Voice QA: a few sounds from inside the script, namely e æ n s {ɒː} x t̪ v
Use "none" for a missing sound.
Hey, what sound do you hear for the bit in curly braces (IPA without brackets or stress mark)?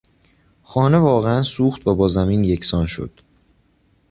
uː